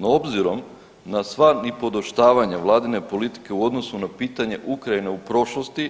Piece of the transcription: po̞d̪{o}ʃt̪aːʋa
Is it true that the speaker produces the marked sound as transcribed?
yes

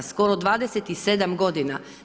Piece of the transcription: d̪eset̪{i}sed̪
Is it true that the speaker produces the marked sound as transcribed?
yes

